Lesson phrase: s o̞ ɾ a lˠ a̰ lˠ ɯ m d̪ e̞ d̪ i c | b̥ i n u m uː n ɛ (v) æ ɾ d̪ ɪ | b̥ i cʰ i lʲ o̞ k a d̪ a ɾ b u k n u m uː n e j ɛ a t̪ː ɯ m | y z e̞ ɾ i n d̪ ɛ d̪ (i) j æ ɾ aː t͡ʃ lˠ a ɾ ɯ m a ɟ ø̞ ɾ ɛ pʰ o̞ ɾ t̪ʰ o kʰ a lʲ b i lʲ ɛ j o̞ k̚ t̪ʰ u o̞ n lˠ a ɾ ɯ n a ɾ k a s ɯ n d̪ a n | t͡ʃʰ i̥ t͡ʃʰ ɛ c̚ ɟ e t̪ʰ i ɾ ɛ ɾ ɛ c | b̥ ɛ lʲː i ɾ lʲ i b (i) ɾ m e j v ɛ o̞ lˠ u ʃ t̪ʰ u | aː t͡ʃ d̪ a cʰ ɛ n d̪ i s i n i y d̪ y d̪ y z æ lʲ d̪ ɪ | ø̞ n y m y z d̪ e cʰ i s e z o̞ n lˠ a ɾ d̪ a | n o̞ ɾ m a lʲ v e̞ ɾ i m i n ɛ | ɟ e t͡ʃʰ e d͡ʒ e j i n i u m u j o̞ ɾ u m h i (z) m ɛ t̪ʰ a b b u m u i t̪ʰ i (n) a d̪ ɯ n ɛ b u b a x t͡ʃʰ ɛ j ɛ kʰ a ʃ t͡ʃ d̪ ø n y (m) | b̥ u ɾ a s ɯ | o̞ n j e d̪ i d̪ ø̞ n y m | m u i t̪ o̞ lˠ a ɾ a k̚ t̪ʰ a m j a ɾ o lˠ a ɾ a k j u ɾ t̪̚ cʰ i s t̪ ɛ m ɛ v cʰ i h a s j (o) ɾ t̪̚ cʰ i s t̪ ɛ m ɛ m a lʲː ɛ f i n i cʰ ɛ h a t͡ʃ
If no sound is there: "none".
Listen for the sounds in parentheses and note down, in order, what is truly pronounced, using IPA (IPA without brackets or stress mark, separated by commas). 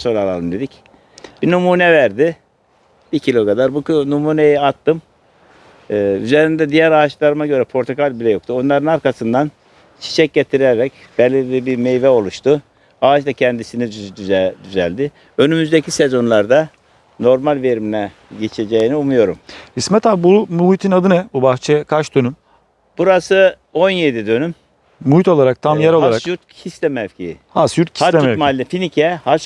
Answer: v, i, i, s, n, m, u